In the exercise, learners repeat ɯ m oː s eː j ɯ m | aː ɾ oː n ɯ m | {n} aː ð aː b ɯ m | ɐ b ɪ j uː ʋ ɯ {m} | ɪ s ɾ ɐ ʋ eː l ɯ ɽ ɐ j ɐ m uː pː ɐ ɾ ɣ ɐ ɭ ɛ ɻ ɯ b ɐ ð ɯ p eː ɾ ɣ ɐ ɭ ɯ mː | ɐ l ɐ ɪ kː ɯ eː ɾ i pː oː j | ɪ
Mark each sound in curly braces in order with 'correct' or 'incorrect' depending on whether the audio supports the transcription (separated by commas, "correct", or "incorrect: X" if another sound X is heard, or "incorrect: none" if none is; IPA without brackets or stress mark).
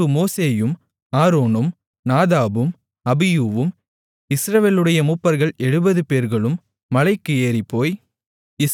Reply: correct, correct